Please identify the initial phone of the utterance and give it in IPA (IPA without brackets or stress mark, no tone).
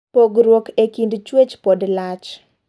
p